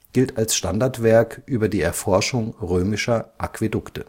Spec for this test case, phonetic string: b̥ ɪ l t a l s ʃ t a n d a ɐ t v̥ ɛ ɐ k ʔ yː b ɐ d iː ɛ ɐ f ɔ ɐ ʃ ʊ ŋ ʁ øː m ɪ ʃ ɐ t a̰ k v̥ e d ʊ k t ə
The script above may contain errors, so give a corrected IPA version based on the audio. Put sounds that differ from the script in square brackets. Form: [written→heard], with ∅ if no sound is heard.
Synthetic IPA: [b̥→ɡ̥] ɪ l t a l s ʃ t a n d a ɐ t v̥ ɛ ɐ k ʔ yː b ɐ d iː ɛ ɐ f ɔ ɐ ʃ ʊ ŋ ʁ øː m ɪ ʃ ɐ [t→ʔ] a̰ k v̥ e d ʊ k t ə